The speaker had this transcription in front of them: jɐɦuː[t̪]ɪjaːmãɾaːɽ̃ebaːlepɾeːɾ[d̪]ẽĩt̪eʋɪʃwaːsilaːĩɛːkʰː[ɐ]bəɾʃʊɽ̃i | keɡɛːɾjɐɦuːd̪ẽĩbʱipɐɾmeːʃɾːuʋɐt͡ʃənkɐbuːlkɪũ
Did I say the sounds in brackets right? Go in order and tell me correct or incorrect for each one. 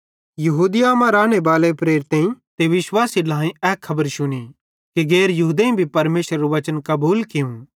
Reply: incorrect, incorrect, correct

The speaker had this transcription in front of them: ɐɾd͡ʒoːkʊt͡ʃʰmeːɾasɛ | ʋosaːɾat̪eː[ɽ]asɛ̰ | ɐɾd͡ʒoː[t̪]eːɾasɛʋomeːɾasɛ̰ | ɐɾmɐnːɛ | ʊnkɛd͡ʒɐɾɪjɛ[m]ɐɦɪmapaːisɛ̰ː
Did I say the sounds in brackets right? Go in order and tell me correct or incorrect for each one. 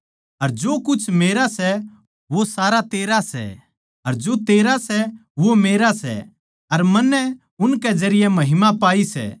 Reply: incorrect, correct, correct

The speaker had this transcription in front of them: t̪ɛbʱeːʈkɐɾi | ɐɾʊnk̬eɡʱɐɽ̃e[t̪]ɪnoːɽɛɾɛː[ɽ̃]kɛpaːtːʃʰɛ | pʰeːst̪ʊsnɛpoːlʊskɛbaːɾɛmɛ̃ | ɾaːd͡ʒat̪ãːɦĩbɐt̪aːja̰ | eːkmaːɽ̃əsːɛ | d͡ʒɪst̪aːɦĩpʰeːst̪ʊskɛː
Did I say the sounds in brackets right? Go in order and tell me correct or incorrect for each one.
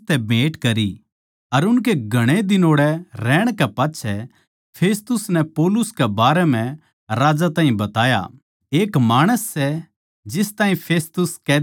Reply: incorrect, correct

